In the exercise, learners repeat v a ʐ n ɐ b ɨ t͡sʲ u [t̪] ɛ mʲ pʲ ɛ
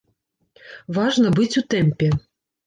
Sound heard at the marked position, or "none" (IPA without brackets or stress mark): t̪